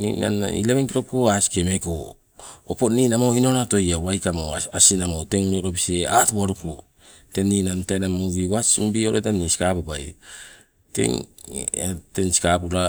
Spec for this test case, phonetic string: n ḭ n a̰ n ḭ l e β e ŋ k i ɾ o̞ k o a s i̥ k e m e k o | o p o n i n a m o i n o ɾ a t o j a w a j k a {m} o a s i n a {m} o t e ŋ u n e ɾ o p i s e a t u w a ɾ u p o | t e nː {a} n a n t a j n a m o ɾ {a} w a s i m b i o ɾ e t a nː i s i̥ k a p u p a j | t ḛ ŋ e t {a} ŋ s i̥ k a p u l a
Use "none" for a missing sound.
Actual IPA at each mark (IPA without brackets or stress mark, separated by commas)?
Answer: m, m, i, i, e